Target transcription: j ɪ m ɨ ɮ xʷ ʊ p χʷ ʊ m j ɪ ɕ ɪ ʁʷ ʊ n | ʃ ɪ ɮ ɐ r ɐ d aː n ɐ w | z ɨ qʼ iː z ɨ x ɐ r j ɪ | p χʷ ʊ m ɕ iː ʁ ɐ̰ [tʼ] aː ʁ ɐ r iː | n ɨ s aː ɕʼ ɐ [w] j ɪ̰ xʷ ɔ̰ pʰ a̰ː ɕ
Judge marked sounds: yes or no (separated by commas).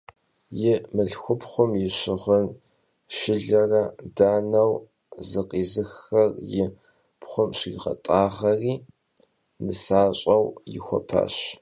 yes, yes